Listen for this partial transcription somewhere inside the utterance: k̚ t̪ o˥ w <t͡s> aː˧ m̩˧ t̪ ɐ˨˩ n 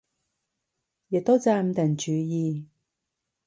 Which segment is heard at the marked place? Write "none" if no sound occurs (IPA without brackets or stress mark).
t͡s